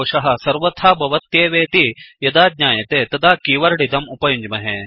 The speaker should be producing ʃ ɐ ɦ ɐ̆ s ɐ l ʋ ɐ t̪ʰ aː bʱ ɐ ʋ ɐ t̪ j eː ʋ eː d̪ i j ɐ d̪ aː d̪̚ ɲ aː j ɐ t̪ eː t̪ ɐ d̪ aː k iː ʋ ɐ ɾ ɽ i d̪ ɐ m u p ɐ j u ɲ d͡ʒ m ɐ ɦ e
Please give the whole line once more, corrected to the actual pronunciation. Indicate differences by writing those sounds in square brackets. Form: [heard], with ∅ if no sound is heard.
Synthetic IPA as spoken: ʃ ɐ ɦ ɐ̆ s ɐ [ɾ] ʋ ɐ t̪ʰ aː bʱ ɐ ʋ ɐ t̪ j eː ʋ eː [t̪] i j ɐ d̪ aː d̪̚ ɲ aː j ɐ t̪ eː t̪ ɐ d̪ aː k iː ʋ ɐ ɾ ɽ i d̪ ɐ m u p ɐ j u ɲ d͡ʒ m ɐ ɦ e